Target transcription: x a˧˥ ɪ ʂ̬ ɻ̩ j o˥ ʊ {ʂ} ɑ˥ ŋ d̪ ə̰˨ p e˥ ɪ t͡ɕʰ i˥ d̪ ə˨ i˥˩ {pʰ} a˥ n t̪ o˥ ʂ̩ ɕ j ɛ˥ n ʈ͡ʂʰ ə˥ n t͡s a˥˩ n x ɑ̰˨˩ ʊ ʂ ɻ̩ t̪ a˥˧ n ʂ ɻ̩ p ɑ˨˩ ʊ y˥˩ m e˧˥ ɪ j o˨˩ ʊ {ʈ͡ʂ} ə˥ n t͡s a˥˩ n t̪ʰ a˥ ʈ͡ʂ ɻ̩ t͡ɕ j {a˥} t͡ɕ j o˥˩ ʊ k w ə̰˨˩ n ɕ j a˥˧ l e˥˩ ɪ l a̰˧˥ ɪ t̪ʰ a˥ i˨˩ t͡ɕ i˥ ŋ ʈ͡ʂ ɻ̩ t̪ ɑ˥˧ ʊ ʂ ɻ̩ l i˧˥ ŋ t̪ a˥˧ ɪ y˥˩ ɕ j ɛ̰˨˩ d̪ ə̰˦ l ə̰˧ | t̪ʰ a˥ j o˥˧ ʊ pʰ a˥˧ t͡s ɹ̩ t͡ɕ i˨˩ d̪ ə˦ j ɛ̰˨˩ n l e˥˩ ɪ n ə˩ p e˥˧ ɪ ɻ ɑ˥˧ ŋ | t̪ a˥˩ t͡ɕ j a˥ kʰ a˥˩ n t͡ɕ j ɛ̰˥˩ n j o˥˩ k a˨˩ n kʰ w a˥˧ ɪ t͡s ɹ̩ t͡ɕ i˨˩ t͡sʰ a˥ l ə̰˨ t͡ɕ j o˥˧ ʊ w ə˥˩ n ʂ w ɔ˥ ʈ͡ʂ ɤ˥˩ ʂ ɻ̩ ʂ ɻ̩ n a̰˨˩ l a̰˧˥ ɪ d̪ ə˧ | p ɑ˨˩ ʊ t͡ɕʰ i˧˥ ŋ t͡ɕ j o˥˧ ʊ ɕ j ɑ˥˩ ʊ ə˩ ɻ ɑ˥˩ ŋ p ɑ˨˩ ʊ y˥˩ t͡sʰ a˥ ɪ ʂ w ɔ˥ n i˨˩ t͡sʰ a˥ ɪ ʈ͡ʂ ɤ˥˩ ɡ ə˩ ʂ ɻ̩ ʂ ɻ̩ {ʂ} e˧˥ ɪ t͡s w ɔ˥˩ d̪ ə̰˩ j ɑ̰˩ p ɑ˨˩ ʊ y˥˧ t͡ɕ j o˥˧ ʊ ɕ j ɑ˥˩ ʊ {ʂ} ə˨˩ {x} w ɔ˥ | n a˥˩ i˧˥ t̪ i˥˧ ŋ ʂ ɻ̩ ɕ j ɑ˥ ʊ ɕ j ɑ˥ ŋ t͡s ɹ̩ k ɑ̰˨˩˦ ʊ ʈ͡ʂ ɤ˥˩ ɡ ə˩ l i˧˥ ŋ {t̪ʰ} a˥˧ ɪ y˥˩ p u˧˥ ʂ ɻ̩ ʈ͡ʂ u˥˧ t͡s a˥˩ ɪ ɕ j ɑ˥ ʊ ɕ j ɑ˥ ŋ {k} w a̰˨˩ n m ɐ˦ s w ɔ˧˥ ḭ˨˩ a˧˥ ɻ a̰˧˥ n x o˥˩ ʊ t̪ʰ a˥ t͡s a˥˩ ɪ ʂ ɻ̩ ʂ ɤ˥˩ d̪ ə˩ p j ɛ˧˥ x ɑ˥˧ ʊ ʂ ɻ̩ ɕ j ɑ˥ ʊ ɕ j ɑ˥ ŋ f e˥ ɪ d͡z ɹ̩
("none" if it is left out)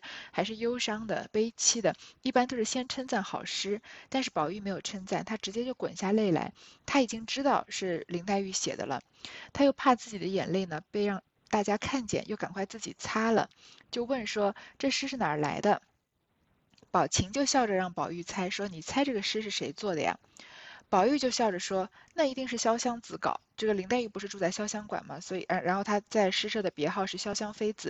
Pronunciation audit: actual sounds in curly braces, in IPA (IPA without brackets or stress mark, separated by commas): ʂ, p, ʈ͡ʂʰ, ɛ˥, ʂ, ʈ͡ʂ, ʂ, t̪, k